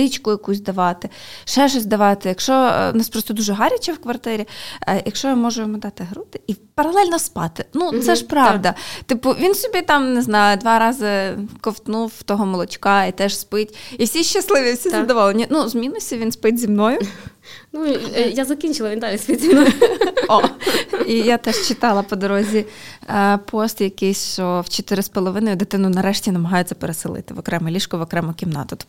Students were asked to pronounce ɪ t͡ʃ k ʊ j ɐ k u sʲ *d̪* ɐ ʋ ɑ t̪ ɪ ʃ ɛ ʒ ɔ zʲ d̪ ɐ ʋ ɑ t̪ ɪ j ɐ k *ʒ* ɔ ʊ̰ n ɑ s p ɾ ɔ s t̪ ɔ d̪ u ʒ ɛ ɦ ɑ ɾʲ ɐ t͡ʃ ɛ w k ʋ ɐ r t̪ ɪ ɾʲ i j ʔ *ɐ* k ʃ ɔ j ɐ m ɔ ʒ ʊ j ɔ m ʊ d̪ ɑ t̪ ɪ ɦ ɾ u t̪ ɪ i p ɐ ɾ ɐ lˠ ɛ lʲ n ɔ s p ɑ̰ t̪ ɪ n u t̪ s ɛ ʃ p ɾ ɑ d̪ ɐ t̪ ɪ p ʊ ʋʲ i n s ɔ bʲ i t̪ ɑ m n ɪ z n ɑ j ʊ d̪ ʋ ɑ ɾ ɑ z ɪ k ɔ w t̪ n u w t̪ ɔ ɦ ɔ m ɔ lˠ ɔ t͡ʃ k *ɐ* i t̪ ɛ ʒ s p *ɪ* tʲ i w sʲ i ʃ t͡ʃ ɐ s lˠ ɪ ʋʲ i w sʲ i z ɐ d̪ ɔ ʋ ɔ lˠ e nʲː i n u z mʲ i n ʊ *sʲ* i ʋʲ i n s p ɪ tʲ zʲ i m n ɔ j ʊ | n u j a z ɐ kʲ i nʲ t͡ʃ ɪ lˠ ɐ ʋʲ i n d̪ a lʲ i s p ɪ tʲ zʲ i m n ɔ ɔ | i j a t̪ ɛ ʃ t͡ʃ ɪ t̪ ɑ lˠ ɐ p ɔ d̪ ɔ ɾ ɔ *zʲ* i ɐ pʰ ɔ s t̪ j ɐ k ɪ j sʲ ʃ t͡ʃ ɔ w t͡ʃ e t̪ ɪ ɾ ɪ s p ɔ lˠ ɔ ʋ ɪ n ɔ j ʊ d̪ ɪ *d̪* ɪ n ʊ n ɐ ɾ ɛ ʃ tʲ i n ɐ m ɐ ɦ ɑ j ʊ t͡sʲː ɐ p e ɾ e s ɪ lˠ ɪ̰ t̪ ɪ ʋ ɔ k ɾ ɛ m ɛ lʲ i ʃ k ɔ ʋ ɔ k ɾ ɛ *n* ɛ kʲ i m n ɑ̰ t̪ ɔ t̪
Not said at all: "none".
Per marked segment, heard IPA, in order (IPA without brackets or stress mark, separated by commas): d̪, ʃ, ɐ, ɑ, ɪ, sʲ, zʲ, t̪, m